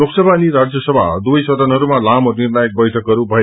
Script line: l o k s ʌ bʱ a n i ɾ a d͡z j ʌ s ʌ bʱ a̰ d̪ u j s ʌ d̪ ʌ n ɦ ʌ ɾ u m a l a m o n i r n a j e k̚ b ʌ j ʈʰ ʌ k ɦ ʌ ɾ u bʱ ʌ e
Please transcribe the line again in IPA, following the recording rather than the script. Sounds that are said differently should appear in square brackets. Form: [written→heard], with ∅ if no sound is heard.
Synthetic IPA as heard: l o k s ʌ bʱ a n i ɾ a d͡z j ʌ s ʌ bʱ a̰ d̪ u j s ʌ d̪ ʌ n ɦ ʌ ɾ u m a l a m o n i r n a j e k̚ b ʌ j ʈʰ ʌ k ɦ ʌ ɾ u bʱ ʌ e